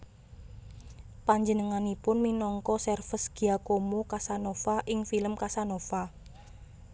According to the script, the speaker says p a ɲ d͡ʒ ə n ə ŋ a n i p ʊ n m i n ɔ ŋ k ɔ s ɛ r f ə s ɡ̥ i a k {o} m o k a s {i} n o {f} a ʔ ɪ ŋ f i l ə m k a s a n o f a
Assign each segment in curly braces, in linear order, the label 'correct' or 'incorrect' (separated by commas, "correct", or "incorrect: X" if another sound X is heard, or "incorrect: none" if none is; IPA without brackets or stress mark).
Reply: correct, incorrect: a, correct